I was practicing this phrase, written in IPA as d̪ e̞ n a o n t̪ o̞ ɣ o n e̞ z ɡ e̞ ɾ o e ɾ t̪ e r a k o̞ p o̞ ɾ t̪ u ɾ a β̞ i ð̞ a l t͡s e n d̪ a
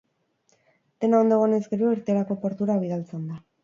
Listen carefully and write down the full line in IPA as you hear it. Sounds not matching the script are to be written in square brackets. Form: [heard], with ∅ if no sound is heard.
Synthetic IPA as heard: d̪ e̞ n a o n [d̪] o̞ ɣ o n e̞ z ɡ e̞ ɾ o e ɾ t̪ e [ɾ] a k o̞ p o̞ ɾ t̪ u ɾ a β̞ i ð̞ a l t͡s e n d̪ a